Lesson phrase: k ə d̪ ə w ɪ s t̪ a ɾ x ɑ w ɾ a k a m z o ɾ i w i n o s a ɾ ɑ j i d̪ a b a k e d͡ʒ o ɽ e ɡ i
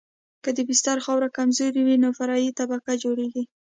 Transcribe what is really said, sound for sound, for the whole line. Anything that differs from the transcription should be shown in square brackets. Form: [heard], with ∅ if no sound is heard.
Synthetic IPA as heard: k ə d̪ ə [b] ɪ s t̪ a ɾ x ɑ w ɾ a k a m z o ɾ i w i n o [f] a ɾ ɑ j i [t̪] a b a k [a] d͡ʒ o ɽ e ɡ i